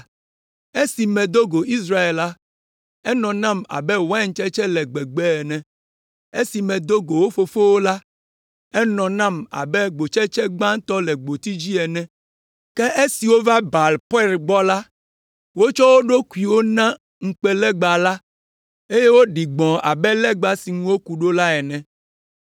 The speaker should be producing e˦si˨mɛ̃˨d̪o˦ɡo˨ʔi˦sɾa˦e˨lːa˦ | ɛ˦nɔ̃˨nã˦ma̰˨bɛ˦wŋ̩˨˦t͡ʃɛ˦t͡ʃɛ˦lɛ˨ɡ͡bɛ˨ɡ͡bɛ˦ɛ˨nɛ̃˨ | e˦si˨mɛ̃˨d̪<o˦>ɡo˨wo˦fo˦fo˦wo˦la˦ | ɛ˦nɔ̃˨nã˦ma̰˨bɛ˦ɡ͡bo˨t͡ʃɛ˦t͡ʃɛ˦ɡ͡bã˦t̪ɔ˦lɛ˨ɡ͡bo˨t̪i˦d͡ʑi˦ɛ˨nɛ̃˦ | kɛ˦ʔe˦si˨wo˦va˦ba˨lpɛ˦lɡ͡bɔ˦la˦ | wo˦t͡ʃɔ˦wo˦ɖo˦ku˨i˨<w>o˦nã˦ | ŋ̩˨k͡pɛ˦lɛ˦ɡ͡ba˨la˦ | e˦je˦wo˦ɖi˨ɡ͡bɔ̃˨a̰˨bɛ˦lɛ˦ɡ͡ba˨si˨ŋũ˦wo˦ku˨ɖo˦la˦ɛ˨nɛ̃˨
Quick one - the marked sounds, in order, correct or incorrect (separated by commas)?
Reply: correct, correct